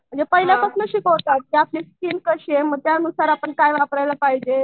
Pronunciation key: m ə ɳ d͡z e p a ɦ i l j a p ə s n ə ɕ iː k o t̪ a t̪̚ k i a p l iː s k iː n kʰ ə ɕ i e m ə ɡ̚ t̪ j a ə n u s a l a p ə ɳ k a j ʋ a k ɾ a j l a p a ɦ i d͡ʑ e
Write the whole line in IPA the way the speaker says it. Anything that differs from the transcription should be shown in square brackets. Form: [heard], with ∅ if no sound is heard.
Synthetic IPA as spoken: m ə ɳ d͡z e p [ə] ɦ i l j a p ə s n ə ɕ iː k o t̪ a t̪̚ k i a p l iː s k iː n [k] ə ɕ i e m ə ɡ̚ t̪ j a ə n u s a [ɾ] a p ə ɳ k a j ʋ a [p] ɾ a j l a p a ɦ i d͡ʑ e